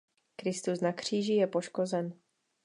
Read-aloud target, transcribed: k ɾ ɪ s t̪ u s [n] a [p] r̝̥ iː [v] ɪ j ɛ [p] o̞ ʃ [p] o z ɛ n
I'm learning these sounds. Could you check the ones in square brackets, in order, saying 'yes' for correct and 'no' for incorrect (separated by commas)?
yes, no, no, yes, no